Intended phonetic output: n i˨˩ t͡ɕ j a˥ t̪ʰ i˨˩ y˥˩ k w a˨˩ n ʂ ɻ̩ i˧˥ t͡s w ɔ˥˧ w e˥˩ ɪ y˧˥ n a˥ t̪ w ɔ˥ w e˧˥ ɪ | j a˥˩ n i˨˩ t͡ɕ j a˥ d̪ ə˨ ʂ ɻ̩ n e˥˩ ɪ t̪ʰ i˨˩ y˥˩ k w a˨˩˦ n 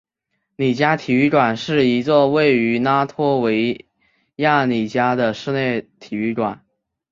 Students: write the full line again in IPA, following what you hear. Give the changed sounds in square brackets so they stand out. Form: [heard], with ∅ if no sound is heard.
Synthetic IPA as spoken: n i˨˩ t͡ɕ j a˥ t̪ʰ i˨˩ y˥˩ k w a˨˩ n ʂ ɻ̩ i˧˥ t͡s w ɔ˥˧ w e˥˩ ɪ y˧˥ n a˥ [t̪ʰ] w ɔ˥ w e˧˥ ɪ | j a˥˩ n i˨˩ t͡ɕ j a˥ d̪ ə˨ ʂ ɻ̩ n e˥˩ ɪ t̪ʰ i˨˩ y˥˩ k w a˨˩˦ n